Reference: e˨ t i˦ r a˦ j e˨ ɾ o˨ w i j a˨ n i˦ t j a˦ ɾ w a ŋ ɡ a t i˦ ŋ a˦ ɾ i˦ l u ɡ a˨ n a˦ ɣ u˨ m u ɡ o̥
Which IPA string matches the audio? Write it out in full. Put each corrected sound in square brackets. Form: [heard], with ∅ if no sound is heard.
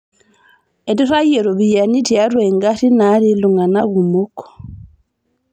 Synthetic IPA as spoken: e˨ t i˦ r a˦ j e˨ ɾ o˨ [β] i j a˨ n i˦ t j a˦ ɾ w [e] ŋ ɡ a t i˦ [n] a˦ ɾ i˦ l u [ŋ] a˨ n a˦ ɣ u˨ m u [k] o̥